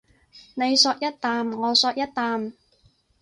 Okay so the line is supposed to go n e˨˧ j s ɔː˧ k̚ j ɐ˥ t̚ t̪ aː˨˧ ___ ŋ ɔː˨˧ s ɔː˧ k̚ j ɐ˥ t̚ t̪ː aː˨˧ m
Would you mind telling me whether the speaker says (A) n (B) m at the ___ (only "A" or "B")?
B